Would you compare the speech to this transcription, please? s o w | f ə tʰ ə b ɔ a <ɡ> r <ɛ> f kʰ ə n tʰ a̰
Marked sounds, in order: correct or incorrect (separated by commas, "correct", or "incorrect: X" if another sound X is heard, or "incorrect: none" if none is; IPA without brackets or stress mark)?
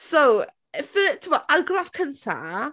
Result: correct, incorrect: a